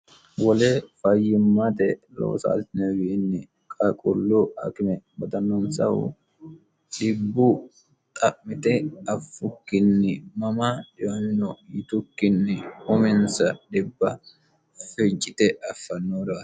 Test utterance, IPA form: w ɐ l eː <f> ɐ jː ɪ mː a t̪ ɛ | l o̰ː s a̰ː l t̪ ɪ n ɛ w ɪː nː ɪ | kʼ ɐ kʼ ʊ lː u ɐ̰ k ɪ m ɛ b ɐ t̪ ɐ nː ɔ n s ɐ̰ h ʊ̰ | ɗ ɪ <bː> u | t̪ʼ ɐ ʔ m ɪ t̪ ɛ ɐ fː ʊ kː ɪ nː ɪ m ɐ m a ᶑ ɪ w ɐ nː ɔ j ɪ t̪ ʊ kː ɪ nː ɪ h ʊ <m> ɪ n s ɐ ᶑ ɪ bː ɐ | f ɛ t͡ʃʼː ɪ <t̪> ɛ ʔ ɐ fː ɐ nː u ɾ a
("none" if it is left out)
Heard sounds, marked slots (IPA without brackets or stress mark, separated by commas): f, bː, m, t̪